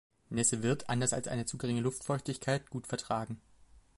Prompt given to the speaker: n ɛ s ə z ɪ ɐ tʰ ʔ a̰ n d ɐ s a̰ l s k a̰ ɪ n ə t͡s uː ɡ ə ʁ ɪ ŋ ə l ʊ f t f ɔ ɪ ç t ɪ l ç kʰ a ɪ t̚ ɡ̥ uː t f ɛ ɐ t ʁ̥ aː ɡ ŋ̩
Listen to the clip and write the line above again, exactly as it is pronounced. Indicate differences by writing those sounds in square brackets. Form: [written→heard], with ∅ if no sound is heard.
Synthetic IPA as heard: n ɛ s ə [z→v] ɪ ɐ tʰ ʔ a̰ n d ɐ s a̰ l s [k→ʔ] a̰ ɪ n ə t͡s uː ɡ ə ʁ ɪ ŋ ə l ʊ f t f ɔ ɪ ç t ɪ [l→∅] ç kʰ a ɪ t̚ ɡ̥ uː t f ɛ ɐ t ʁ̥ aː ɡ ŋ̩